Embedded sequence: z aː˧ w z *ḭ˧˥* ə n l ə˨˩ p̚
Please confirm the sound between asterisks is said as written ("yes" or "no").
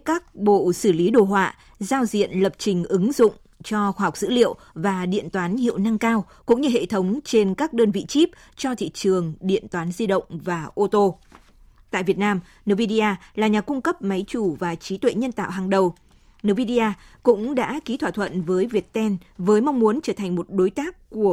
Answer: no